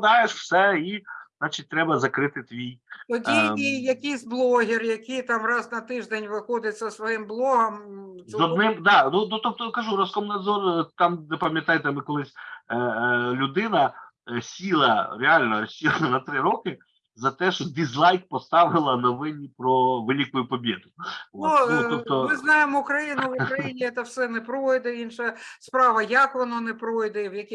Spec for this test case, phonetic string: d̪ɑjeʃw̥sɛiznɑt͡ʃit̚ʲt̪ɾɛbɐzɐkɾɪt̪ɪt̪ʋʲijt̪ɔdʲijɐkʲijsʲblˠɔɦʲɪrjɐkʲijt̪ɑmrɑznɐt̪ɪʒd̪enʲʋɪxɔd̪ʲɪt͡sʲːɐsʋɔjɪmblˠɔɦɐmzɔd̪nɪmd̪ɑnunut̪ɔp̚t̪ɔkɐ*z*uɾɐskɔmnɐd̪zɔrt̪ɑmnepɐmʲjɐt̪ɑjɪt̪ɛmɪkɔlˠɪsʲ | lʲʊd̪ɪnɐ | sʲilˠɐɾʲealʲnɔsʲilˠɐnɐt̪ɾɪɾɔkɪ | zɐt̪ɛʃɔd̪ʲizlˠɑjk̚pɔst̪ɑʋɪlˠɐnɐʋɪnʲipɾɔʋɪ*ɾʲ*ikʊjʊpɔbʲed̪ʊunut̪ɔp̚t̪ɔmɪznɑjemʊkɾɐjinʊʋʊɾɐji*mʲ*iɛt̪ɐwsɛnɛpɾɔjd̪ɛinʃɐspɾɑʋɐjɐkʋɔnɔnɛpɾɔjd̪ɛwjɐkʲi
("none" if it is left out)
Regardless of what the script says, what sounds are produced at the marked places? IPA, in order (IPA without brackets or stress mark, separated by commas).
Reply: ʒ, lʲ, nʲ